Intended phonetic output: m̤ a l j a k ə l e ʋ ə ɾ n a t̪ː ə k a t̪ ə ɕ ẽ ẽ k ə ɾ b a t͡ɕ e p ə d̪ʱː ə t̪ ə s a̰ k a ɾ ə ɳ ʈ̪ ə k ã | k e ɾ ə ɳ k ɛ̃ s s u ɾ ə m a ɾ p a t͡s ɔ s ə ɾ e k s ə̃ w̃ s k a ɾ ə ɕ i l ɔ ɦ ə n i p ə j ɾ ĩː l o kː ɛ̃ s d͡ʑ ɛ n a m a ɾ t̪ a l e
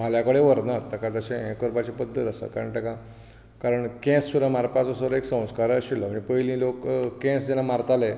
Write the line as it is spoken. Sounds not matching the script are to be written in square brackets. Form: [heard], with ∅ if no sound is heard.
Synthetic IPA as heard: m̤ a l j a k ə [ɽ] e ʋ ə ɾ n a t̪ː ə k a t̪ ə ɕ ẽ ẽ k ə ɾ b a t͡ɕ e p ə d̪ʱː ə t̪ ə s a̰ k a ɾ ə ɳ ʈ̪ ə k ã | k [a] ɾ ə ɳ k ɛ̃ s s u ɾ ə m a ɾ p a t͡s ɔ s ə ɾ e k s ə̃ w̃ s k a ɾ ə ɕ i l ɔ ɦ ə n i p ə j [l] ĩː l o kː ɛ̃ s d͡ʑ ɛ n a m a ɾ t̪ a l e